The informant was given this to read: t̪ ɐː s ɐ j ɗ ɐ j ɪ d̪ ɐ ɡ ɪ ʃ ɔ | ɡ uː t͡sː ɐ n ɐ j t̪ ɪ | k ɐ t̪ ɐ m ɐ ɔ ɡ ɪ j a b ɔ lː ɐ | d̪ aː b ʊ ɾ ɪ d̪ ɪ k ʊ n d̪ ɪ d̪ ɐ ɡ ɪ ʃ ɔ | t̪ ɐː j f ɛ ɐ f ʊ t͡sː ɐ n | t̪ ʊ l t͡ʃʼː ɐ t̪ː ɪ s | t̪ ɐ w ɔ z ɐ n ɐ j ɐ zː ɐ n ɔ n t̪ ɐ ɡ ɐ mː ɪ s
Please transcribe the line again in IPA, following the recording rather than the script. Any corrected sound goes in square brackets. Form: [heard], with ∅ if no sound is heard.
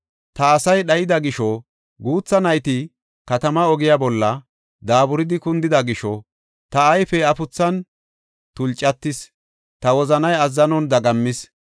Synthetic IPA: t̪ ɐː s ɐ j ɗ ɐ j ɪ d̪ ɐ ɡ ɪ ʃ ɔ | ɡ uː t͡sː ɐ n ɐ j t̪ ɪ | k ɐ t̪ ɐ m ɐ ɔ ɡ ɪ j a b ɔ lː ɐ | d̪ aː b ʊ ɾ ɪ d̪ ɪ k ʊ n d̪ ɪ d̪ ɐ ɡ ɪ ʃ ɔ | t̪ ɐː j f ɛ ɐ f ʊ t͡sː ɐ n | t̪ ʊ l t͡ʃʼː ɐ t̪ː ɪ s | t̪ ɐ w ɔ z ɐ n ɐ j ɐ zː ɐ n ɔ n [d̪] ɐ ɡ ɐ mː ɪ s